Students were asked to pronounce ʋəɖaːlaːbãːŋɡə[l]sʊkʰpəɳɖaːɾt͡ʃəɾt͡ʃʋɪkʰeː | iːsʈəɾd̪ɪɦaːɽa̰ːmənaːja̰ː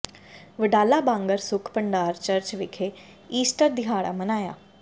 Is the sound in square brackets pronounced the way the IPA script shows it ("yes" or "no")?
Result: no